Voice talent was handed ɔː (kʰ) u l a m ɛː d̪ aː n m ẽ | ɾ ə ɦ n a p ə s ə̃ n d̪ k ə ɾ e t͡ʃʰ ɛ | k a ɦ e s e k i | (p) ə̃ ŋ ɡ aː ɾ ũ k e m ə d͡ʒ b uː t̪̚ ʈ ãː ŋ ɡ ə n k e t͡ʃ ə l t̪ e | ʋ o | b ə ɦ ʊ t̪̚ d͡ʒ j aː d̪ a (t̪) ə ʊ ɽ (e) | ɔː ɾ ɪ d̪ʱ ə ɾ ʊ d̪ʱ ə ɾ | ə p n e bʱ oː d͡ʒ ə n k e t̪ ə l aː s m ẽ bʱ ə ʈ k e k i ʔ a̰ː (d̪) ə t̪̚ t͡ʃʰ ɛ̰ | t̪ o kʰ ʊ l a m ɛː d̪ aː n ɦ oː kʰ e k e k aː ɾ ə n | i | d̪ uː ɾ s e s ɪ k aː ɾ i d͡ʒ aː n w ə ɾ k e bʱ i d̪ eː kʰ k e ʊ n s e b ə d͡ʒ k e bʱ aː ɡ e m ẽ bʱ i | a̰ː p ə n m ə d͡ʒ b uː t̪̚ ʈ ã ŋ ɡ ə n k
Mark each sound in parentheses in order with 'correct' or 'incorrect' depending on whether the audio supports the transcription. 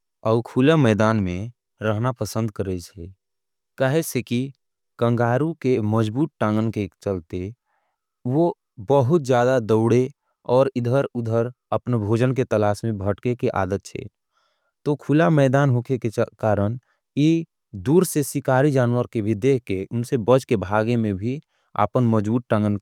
correct, incorrect: k, incorrect: d̪, correct, correct

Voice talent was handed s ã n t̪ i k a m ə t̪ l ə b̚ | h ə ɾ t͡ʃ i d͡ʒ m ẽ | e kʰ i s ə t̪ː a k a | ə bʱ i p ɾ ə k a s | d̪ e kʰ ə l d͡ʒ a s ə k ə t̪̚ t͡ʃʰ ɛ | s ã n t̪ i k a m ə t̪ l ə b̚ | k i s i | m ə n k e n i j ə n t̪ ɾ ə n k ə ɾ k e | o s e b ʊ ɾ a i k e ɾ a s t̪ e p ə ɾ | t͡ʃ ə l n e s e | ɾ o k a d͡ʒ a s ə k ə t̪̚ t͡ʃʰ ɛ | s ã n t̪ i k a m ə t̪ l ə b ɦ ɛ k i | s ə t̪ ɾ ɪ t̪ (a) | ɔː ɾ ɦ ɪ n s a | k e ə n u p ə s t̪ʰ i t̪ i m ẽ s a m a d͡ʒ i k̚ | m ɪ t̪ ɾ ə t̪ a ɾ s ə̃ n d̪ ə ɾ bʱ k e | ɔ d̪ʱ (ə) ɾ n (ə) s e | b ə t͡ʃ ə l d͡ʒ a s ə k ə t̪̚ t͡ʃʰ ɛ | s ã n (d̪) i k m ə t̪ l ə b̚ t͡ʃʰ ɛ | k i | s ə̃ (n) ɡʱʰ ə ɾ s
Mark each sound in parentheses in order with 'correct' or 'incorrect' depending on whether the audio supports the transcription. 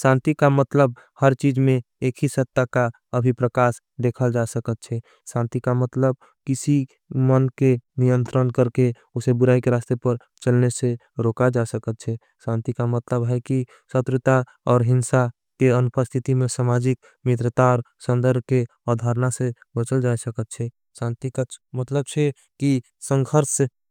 correct, incorrect: a, incorrect: a, incorrect: t̪, incorrect: ŋ

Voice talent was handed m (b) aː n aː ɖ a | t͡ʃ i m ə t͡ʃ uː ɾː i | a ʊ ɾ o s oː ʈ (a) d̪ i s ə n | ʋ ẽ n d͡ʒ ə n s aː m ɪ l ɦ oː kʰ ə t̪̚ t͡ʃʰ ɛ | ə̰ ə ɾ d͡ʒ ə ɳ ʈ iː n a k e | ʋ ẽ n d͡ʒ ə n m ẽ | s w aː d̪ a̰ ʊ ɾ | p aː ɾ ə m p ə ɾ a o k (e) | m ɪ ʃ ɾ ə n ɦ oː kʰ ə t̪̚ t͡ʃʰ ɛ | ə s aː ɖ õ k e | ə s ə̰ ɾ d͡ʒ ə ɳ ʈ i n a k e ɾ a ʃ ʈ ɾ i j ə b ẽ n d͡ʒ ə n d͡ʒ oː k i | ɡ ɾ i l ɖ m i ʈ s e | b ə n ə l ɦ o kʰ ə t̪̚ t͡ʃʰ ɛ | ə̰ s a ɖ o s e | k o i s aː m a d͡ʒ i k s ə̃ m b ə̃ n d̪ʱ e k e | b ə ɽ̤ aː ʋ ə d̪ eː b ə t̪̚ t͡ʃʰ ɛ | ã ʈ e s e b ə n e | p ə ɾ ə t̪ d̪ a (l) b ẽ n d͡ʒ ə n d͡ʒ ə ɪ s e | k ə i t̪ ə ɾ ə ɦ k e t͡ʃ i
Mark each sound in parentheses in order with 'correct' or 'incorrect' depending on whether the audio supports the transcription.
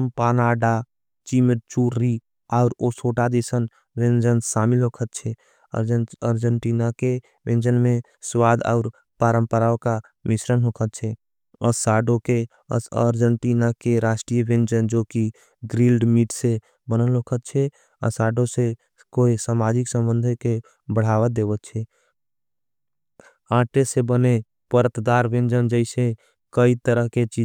incorrect: p, correct, incorrect: a, incorrect: ɾ

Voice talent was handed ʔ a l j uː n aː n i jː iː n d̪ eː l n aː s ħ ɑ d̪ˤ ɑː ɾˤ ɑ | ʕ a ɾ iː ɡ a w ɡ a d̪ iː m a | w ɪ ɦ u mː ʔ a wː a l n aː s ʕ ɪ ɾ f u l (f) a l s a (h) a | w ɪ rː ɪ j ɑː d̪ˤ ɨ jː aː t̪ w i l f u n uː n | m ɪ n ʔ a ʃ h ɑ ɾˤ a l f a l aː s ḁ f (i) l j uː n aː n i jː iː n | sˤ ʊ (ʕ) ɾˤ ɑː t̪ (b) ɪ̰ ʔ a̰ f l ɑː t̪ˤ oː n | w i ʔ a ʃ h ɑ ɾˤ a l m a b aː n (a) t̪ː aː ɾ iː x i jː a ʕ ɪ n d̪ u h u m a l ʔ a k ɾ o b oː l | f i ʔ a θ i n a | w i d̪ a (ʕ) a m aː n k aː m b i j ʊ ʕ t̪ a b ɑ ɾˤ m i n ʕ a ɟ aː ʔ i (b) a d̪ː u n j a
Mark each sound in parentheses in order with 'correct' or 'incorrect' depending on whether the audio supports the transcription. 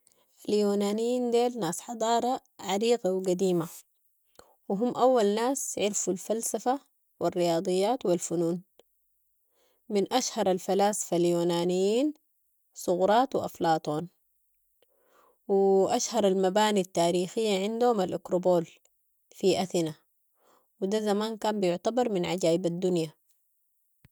correct, incorrect: f, incorrect: a, incorrect: ɣ, incorrect: w, incorrect: i, incorrect: z, correct

